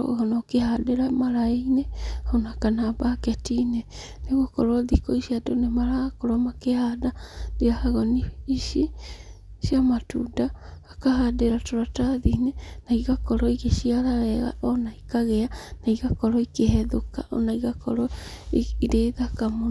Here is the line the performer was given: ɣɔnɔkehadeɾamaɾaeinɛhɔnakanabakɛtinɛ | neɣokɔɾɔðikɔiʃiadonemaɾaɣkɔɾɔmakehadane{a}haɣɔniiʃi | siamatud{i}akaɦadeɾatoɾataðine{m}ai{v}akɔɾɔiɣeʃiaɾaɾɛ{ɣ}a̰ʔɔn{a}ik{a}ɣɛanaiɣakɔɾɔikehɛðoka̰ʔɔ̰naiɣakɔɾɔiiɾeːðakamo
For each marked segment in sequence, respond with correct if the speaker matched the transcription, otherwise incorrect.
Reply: correct, incorrect, incorrect, incorrect, correct, correct, correct

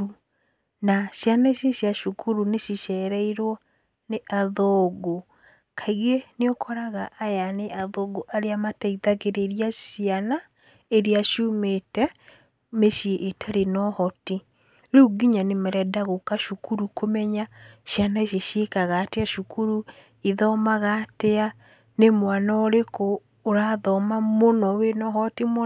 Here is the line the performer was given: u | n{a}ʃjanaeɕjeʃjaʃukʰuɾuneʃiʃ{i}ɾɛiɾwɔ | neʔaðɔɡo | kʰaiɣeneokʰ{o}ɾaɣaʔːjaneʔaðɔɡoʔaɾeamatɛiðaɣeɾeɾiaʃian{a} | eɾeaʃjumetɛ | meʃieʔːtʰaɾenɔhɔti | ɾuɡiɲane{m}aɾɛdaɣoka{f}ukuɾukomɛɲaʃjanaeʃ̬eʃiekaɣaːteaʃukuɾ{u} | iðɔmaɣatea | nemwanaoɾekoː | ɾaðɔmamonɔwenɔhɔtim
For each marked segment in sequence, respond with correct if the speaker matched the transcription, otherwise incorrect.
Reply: correct, incorrect, incorrect, correct, correct, incorrect, correct

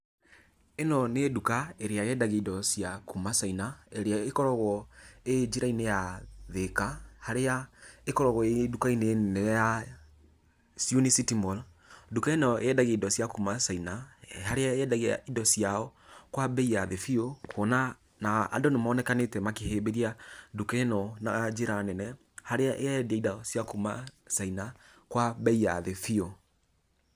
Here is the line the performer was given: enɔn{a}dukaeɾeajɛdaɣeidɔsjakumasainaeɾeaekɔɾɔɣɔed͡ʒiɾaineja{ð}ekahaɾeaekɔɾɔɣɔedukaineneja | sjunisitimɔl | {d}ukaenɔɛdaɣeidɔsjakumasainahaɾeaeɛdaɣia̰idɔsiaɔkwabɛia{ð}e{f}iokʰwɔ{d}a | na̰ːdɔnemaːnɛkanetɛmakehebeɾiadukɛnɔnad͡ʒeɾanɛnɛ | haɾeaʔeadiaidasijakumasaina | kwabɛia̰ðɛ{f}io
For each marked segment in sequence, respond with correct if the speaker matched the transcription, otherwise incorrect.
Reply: incorrect, correct, correct, correct, correct, incorrect, correct

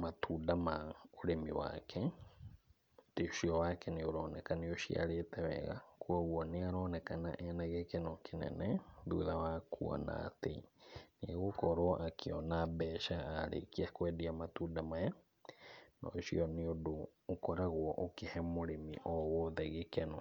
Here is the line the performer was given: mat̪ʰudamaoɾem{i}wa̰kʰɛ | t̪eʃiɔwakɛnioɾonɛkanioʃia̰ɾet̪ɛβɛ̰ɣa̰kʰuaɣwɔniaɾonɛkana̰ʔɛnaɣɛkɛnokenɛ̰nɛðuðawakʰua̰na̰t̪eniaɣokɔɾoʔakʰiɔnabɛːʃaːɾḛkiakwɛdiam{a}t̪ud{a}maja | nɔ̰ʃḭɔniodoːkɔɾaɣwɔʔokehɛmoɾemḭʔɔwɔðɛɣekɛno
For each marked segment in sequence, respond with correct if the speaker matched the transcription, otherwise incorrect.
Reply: correct, correct, correct

